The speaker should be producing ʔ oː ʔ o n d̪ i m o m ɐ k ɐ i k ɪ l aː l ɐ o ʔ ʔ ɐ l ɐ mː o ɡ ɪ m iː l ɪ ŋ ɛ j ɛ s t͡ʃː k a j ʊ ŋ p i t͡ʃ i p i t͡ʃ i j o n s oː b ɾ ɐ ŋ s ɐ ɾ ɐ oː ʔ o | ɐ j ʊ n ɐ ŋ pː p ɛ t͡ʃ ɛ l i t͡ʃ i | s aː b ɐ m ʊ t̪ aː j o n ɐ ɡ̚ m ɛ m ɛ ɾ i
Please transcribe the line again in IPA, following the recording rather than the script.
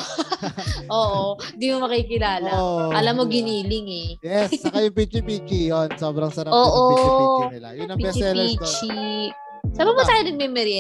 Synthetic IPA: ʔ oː ʔ o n d̪ i m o m ɐ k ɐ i k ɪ l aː l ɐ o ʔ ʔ ɐ l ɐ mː o ɡ ɪ n iː l ɪ ŋ ɛ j ɛ s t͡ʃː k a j ʊ ŋ p i t͡ʃ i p i t͡ʃ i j o n s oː b ɾ ɐ ŋ s ɐ ɾ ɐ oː ʔ o | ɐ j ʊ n ɐ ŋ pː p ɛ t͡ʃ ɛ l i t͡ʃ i | s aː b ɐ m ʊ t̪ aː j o n ɐ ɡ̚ m ɛ m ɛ ɾ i